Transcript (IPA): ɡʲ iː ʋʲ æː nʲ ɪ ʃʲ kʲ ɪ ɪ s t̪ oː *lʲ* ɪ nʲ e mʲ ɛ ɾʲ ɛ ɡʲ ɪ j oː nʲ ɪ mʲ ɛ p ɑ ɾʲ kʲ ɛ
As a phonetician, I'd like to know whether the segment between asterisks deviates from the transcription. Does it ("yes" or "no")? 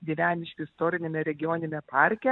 yes